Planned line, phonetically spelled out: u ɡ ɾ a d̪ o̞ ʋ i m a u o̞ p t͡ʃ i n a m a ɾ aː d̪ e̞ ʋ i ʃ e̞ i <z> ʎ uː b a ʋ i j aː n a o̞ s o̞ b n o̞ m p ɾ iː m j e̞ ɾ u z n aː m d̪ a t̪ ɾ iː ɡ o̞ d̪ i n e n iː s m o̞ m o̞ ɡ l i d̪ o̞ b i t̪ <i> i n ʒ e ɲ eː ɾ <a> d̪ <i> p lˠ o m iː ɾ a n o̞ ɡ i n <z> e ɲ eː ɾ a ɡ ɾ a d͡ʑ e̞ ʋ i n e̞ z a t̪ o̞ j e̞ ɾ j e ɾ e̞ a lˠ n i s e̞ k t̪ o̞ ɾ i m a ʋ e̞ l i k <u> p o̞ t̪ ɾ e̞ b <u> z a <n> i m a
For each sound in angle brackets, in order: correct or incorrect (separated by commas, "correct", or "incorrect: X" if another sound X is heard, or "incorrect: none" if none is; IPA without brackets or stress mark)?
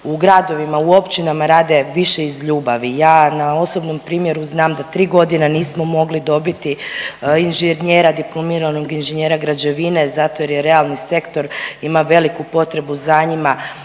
correct, correct, correct, correct, incorrect: ʒ, correct, correct, incorrect: ɲ